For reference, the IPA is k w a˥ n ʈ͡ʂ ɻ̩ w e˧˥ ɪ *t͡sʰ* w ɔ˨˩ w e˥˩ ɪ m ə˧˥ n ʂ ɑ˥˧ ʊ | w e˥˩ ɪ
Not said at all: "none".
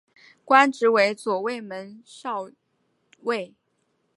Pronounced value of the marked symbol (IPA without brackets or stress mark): t͡s